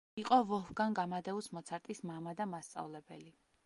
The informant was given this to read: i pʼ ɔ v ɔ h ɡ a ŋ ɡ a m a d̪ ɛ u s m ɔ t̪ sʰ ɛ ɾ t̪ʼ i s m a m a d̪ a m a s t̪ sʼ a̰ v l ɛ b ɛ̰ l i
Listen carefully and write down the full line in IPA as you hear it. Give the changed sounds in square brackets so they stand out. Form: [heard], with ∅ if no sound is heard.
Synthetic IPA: i [qʼ] ɔ v ɔ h ɡ a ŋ ɡ a m a d̪ ɛ u s m ɔ t̪ sʰ [a] ɾ t̪ʼ i s m a m a d̪ a m a s t̪ sʼ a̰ v l ɛ b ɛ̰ l i